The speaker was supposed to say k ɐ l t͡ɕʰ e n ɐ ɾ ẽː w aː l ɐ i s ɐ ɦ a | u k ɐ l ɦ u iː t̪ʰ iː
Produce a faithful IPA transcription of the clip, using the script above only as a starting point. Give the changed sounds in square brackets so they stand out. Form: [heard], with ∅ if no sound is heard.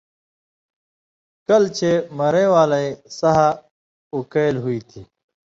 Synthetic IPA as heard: k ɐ l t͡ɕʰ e [m] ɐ ɾ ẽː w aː l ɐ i s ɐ ɦ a | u k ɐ l ɦ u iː t̪ʰ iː

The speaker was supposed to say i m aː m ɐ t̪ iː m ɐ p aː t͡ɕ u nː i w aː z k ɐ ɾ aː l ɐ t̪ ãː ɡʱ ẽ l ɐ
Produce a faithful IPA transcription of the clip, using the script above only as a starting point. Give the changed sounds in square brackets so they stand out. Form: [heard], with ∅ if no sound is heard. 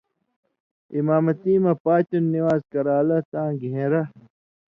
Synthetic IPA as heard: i m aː m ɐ t̪ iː m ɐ p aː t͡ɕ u nː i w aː z k ɐ ɾ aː l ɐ t̪ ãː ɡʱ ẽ [ɾ] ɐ

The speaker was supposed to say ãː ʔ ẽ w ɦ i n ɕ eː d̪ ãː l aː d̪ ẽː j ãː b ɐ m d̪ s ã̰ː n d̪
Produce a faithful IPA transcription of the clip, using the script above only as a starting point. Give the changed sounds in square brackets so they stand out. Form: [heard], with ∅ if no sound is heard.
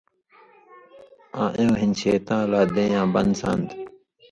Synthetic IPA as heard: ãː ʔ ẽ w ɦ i n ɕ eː [t̪] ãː l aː d̪ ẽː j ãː b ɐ [n] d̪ s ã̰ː n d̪

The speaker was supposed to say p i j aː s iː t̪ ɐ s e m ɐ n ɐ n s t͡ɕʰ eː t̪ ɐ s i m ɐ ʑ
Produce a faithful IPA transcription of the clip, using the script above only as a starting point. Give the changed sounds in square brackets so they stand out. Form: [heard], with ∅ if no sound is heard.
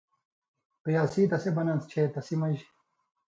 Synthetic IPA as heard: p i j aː s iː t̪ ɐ s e [b] ɐ n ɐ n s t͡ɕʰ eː t̪ ɐ s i m ɐ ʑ

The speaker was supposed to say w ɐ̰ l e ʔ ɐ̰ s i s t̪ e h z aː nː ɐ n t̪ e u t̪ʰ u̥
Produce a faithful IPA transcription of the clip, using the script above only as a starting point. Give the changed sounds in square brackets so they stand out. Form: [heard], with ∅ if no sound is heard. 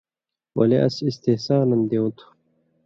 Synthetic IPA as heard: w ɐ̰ l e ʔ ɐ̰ s i s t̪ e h [s] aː [n] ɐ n [d̪] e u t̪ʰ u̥

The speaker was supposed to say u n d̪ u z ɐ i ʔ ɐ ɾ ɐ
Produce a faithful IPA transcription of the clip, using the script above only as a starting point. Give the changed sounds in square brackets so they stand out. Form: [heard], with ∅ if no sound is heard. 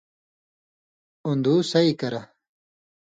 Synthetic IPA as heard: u n d̪ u [s] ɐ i [k] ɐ ɾ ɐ

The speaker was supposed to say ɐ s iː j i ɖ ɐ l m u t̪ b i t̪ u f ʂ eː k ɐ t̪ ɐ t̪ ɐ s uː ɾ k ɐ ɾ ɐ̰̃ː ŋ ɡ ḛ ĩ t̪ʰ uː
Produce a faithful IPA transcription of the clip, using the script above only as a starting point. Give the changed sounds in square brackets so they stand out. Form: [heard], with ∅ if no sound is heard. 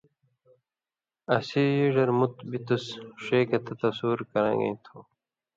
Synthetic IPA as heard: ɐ s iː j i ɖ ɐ [ɾ] m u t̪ b i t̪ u [s] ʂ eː k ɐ t̪ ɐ t̪ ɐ s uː ɾ k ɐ ɾ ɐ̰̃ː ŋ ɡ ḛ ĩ t̪ʰ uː

